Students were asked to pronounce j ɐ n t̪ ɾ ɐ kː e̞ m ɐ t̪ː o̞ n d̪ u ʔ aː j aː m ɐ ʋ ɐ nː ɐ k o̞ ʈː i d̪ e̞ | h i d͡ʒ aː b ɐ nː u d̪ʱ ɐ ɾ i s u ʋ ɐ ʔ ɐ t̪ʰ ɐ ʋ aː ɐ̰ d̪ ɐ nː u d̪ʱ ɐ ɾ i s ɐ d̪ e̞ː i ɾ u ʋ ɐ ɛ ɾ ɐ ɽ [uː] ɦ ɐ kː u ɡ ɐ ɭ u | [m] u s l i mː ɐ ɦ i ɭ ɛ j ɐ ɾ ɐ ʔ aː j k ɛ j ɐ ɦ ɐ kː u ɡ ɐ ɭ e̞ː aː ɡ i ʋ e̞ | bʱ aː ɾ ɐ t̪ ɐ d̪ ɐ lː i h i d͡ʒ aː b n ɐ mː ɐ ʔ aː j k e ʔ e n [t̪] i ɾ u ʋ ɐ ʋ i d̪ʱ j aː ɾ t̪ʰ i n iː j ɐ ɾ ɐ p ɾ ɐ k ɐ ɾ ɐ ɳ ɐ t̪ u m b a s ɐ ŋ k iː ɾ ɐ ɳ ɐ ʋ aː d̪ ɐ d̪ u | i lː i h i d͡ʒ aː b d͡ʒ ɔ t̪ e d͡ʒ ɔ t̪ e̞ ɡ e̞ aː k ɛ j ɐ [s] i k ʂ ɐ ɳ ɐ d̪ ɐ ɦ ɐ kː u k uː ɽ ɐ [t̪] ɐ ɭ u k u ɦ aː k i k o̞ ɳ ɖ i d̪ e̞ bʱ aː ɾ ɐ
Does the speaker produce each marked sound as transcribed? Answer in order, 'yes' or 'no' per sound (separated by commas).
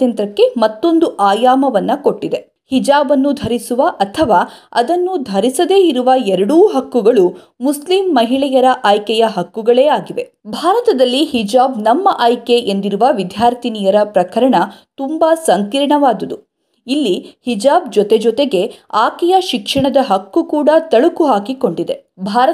yes, yes, no, no, yes